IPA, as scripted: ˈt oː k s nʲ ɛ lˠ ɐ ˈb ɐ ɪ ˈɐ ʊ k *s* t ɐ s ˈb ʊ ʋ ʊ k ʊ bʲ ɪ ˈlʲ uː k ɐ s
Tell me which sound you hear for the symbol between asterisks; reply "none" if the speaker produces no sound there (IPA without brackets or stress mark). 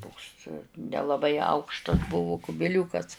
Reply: ʃ